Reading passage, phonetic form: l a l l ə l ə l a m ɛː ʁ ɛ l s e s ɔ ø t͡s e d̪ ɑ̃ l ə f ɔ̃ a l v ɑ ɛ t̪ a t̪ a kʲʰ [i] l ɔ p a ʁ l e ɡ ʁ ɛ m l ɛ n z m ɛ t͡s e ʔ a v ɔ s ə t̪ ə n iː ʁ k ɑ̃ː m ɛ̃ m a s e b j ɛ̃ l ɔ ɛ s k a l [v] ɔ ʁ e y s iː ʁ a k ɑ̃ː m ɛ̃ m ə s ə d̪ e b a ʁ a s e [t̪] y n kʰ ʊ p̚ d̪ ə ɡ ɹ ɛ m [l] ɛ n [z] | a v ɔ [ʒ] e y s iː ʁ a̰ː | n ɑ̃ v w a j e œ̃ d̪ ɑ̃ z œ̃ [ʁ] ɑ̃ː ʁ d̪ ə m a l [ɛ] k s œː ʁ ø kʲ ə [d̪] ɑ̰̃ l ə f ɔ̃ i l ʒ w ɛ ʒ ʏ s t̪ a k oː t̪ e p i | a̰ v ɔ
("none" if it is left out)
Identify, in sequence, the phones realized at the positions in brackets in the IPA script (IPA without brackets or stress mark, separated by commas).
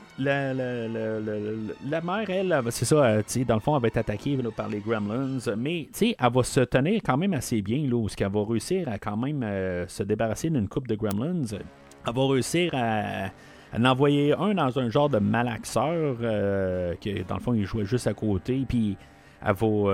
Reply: e, v, d̪, l, z, ʁ, ʒ, a, d̪